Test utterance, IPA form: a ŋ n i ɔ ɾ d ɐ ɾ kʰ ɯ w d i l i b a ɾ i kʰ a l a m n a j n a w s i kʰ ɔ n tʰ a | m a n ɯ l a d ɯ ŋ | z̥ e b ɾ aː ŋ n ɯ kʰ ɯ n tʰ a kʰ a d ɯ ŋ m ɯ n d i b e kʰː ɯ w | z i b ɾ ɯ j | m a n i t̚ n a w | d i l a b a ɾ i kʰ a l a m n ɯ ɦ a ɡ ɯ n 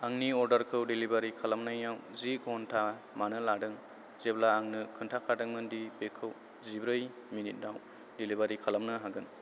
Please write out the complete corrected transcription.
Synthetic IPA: a ŋ n i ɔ ɾ d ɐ ɾ kʰ ɯ w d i l i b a ɾ i kʰ a l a m n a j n a w z i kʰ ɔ n tʰ a | m a n ɯ l a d ɯ ŋ | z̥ e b l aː ŋ n ɯ kʰ ɯ n tʰ a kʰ a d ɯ ŋ m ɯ n d i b e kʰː ɯ w | z i b ɾ ɯ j | m i n i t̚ n a w | d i l i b a ɾ i kʰ a l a m n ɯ ɦ a ɡ ɯ n